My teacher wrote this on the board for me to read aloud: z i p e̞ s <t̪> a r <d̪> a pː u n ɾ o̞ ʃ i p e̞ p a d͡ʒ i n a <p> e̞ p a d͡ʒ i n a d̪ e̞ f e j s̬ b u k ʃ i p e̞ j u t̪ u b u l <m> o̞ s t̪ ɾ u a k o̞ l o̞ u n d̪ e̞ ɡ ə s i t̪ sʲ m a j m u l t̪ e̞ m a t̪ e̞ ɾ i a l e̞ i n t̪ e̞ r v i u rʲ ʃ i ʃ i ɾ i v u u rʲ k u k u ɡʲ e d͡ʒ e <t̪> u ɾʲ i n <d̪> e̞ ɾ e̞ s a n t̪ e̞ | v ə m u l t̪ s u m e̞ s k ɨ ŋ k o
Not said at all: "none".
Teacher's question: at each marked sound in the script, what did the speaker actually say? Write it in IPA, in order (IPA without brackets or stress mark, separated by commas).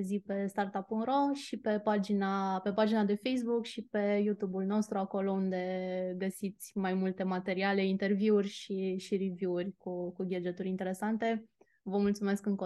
t̪, t̪, p, n, t̪, t̪